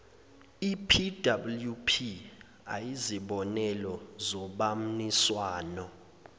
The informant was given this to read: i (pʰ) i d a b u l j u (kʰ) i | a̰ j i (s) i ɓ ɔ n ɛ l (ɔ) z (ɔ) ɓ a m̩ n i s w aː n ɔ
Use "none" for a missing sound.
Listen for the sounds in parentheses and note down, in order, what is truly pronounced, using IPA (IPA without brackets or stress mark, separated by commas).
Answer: pʰ, pʰ, z, ɔ, ɔ